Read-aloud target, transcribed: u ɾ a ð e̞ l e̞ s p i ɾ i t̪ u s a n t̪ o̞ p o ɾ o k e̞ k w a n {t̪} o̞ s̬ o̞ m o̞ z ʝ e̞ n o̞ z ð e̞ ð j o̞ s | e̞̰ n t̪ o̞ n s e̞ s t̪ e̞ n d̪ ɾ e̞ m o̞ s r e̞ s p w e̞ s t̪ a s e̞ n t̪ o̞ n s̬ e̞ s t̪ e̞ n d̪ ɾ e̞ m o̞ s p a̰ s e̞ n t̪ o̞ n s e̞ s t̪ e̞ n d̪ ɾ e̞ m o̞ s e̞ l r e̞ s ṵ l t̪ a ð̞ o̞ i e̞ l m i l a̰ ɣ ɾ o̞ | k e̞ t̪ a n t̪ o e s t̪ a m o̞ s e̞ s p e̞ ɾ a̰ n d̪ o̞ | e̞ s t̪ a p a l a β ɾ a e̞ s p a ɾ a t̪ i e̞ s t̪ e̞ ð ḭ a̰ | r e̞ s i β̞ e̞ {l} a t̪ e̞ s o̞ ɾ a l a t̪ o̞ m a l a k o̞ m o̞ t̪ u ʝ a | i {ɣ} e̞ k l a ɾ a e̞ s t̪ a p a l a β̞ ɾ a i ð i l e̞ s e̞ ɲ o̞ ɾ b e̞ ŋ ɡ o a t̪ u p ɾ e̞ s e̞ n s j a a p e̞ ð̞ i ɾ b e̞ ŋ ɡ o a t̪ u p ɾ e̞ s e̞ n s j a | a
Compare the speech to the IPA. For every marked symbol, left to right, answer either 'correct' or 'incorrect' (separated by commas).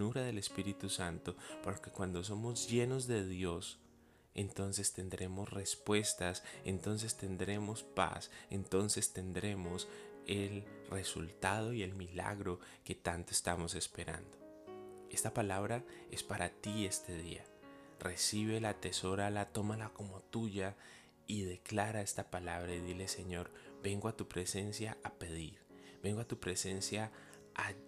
incorrect, correct, incorrect